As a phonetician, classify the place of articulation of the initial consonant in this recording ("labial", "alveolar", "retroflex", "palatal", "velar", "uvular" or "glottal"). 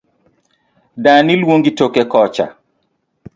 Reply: alveolar